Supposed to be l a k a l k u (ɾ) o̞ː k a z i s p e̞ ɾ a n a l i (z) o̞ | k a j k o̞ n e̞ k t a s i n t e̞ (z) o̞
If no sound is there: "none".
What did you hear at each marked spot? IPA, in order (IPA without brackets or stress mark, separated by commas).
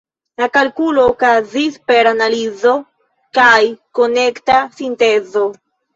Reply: l, z, z